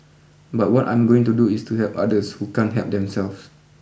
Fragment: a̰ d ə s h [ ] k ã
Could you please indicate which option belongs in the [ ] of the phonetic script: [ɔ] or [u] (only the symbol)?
u